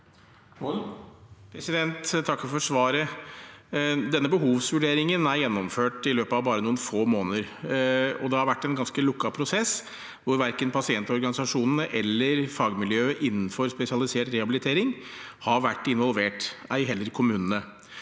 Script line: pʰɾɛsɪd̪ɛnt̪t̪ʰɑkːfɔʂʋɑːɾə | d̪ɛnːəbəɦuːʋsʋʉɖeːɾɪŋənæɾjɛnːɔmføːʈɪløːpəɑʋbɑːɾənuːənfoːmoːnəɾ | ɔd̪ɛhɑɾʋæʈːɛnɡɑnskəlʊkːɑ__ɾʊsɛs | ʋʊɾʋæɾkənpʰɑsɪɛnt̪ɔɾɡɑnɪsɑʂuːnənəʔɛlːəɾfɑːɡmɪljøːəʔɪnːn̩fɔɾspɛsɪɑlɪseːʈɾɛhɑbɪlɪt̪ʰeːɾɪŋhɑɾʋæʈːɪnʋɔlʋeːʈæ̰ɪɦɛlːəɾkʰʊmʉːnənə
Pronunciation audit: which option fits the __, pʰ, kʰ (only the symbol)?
pʰ